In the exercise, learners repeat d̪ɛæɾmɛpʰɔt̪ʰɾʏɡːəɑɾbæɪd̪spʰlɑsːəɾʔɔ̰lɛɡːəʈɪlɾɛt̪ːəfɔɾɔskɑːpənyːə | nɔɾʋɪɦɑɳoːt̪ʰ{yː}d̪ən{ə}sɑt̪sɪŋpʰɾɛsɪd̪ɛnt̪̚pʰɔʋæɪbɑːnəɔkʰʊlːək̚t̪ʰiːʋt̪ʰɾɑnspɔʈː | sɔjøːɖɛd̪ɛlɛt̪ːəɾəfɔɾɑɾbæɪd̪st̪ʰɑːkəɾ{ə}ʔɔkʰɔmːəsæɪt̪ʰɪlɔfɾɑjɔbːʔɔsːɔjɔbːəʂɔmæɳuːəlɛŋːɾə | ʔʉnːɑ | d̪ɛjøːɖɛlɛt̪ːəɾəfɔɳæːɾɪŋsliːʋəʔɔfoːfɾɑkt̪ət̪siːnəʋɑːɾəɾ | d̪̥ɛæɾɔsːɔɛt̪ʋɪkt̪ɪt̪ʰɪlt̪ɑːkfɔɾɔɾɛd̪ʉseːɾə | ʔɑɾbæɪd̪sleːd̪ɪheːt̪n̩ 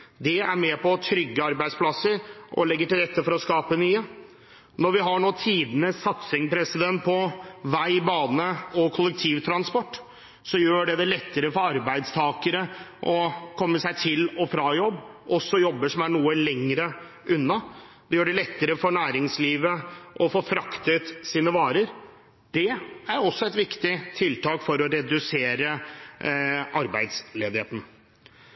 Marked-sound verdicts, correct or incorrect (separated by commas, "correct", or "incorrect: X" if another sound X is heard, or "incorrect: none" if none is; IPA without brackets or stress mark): incorrect: iː, correct, correct